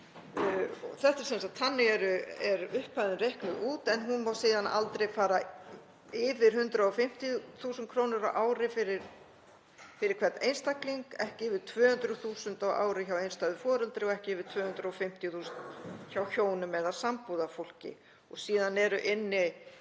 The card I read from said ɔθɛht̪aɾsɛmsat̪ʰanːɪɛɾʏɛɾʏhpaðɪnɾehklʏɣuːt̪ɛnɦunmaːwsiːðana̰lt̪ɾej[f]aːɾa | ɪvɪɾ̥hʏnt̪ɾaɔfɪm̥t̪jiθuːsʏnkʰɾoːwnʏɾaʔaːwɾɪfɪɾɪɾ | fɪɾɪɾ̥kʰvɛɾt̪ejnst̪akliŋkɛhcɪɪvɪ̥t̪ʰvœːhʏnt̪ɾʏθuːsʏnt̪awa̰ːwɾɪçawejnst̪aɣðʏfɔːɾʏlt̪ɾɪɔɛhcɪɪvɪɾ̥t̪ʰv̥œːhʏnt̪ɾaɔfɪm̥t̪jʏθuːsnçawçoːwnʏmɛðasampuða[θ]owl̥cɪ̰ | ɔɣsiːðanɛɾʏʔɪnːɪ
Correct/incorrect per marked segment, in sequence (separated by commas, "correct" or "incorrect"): correct, incorrect